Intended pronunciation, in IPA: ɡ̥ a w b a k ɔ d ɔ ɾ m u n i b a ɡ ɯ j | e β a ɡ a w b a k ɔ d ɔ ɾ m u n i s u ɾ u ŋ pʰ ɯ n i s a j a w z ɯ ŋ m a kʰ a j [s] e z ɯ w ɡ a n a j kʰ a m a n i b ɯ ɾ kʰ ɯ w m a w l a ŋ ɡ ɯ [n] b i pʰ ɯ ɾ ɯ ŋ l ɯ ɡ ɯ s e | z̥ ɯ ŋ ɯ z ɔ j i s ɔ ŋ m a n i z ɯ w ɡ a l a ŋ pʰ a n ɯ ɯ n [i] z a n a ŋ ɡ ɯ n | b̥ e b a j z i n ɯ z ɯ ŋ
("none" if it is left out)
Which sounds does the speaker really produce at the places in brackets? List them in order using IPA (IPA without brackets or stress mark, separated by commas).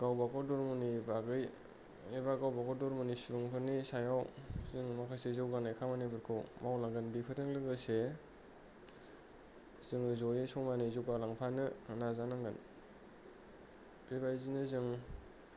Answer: s, n, a